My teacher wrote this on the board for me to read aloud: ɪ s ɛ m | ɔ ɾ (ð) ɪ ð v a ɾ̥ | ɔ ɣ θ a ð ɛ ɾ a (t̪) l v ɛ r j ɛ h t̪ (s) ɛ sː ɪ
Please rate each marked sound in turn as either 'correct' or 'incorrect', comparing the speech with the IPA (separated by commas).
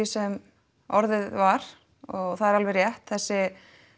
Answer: correct, incorrect, incorrect